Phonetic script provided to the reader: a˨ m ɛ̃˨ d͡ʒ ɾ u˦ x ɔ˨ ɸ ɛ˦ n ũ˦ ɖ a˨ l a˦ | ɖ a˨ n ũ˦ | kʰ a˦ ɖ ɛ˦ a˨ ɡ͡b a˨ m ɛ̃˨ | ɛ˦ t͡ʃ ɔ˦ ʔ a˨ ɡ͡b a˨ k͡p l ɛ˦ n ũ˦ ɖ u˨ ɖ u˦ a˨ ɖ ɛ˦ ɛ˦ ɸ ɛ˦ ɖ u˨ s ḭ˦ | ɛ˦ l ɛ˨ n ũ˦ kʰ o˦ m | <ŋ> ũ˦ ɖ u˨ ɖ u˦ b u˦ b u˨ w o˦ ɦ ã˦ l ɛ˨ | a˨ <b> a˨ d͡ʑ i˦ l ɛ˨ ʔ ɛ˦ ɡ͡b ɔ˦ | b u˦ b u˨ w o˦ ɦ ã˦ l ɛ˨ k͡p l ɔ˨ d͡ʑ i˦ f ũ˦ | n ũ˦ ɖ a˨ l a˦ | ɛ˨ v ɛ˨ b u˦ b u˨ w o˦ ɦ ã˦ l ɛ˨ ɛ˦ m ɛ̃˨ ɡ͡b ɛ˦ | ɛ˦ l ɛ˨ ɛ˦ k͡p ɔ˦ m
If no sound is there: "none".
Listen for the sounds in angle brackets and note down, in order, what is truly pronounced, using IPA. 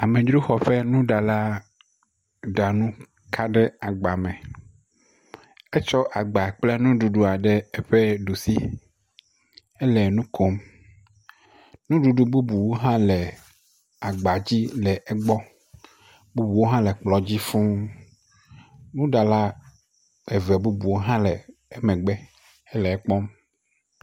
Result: n, ɡ͡b

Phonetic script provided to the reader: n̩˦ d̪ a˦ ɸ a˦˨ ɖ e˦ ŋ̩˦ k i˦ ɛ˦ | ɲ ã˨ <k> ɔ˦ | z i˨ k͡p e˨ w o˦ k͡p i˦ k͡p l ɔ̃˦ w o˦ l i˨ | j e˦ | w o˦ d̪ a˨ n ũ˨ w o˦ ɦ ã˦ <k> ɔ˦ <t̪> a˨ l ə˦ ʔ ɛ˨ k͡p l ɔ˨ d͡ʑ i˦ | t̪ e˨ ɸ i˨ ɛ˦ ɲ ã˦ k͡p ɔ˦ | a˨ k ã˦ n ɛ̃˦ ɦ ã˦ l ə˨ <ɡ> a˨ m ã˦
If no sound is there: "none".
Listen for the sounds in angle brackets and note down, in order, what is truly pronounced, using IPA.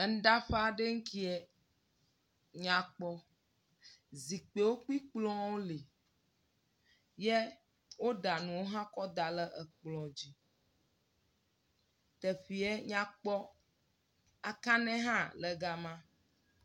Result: k͡p, k, d̪, ɡ

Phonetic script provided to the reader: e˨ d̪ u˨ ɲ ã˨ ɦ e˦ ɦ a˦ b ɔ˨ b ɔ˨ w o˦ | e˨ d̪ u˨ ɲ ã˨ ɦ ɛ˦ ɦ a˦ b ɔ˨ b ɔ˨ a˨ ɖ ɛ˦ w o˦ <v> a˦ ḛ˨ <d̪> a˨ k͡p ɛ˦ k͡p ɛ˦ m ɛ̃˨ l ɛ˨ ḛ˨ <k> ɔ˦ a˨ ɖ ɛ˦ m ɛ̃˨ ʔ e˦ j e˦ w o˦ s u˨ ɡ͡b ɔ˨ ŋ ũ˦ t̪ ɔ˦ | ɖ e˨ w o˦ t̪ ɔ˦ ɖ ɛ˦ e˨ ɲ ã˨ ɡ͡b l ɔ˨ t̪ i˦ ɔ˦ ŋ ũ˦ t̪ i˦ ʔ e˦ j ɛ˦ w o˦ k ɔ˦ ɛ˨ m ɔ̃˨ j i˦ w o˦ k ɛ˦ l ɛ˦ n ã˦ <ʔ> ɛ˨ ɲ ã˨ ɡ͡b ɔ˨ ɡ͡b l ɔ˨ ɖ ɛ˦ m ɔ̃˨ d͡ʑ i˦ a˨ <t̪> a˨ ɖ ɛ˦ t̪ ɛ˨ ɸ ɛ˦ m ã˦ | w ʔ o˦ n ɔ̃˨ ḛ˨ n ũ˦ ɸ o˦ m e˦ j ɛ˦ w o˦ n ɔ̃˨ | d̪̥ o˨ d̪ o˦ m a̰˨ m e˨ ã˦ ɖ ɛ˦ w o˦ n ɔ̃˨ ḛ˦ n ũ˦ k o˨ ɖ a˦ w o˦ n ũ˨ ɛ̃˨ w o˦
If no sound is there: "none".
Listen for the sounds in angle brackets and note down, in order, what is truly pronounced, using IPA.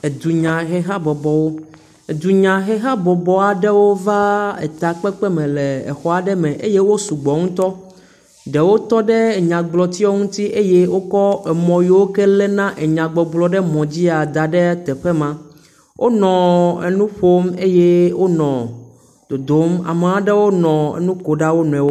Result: v, t̪, x, ʔ, d̪

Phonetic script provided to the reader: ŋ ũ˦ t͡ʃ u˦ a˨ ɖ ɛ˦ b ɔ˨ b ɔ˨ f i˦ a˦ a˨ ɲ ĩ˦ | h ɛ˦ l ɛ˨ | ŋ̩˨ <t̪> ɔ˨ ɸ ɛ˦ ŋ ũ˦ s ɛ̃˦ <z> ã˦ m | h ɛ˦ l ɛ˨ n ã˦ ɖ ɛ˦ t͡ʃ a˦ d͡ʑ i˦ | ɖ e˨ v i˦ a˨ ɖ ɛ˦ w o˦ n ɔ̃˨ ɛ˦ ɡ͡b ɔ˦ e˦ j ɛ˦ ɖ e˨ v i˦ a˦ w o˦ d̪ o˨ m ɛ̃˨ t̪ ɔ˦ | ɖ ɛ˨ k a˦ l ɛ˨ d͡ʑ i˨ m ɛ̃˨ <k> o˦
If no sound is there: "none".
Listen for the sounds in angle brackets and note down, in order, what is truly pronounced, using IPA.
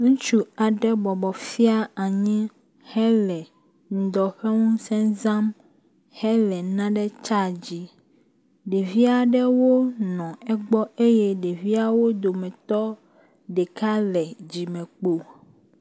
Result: d̪, z, k͡p

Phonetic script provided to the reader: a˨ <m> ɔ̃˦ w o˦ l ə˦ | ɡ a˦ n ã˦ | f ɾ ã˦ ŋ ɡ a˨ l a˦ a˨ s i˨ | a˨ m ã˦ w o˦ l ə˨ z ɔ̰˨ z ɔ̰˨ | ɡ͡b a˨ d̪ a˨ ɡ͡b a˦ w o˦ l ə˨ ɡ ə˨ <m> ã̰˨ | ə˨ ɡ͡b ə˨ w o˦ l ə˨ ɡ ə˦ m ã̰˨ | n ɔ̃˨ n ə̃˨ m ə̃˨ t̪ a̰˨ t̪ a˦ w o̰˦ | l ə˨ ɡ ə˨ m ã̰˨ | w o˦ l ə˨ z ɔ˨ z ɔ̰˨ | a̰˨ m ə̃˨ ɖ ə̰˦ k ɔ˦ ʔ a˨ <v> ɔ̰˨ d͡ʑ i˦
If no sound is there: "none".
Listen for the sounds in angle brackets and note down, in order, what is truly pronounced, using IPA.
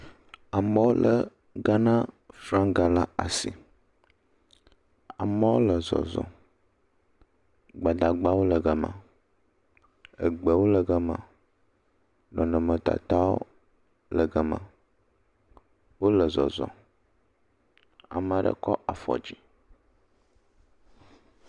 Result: m, m, f

